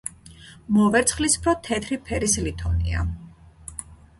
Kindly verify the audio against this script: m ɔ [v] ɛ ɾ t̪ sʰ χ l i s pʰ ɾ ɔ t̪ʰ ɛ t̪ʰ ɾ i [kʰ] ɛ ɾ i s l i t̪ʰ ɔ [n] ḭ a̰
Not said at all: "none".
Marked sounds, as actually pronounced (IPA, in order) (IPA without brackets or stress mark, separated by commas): v, pʰ, n